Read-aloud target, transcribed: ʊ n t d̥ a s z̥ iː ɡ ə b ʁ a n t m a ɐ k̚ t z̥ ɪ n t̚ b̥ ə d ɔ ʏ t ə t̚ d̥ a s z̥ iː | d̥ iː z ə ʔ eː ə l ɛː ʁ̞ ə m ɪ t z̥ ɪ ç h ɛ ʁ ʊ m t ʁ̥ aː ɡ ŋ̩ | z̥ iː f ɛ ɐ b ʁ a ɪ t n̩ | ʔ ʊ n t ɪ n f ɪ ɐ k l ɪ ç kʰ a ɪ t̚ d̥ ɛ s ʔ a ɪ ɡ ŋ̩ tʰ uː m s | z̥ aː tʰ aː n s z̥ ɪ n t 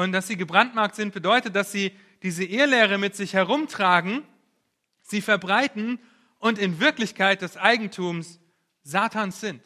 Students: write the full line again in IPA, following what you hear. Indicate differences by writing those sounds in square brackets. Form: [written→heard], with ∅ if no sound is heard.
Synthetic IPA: ʊ n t d̥ a s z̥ iː ɡ ə b ʁ a n t m a ɐ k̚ t z̥ ɪ n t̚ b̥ ə d ɔ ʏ t ə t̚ d̥ a s z̥ iː | d̥ iː z ə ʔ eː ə l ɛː ʁ̞ ə m ɪ t z̥ ɪ ç h ɛ ʁ ʊ m t ʁ̥ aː ɡ ŋ̩ | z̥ iː f ɛ ɐ b ʁ a ɪ t n̩ | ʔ ʊ n t ɪ n [f→v] ɪ ɐ k l ɪ ç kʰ a ɪ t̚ d̥ ɛ s ʔ a ɪ ɡ ŋ̩ tʰ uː m s | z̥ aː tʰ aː n s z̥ ɪ n t